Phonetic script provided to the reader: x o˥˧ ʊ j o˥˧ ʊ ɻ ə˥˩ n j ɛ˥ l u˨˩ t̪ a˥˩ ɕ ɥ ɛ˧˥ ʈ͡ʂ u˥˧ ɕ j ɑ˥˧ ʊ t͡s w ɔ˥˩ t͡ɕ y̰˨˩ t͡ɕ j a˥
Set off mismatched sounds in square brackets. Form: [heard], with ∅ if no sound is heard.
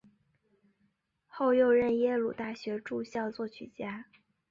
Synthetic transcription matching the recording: x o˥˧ ʊ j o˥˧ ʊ ɻ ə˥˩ n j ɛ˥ l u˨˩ t̪ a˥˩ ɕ ɥ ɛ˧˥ ʈ͡ʂ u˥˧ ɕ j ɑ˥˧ ʊ t͡s w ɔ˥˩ [t͡ɕʰ] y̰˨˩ t͡ɕ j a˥